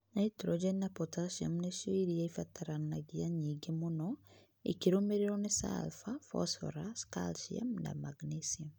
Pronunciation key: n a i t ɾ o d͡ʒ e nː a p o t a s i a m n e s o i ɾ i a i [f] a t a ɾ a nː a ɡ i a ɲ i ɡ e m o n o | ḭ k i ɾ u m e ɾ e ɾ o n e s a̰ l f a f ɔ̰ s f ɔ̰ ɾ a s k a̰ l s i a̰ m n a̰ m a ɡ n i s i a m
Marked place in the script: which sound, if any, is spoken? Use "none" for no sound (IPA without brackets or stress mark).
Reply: f